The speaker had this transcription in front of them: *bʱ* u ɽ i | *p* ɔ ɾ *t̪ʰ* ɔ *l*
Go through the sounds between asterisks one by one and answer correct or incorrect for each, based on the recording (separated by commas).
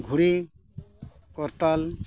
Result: incorrect, incorrect, incorrect, correct